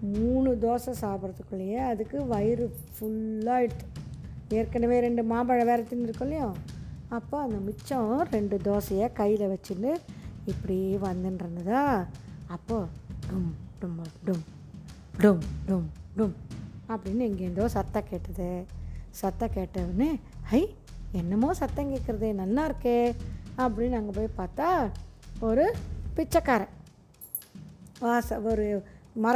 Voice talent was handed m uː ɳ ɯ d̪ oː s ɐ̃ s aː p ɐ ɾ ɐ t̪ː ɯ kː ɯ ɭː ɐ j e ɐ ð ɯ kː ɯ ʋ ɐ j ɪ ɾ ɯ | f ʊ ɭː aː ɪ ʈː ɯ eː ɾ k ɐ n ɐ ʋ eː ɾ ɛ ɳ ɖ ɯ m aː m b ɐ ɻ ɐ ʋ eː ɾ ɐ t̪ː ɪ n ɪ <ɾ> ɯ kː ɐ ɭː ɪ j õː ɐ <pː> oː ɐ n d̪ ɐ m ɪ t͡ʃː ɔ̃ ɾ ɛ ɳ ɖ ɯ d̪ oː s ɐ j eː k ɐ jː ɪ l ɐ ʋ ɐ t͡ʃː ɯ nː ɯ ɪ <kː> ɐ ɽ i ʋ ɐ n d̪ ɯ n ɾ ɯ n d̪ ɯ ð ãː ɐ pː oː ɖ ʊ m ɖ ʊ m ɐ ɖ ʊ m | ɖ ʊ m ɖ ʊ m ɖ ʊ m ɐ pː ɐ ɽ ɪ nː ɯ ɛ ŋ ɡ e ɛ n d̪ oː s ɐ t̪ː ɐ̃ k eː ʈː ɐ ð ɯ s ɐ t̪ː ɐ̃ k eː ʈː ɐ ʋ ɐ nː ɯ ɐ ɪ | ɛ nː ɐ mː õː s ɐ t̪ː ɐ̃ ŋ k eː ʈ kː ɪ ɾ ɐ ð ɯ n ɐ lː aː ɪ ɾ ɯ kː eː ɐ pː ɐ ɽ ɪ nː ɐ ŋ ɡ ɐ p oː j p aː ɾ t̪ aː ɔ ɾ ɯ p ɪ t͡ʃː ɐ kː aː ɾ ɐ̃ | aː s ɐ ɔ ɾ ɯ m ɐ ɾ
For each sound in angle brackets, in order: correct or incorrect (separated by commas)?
correct, correct, incorrect